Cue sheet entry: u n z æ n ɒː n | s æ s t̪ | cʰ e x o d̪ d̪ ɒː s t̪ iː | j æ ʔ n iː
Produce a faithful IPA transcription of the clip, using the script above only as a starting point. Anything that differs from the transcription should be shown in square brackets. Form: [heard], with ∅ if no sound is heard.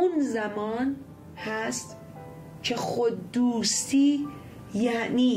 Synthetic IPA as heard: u n z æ [m] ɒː n | [h] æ s t̪ | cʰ e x o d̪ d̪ [uː] s t̪ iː | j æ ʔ n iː